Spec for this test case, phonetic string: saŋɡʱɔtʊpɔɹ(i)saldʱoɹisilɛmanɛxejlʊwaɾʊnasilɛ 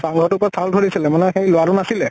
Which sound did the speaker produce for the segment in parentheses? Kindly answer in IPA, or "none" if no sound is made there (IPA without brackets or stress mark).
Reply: a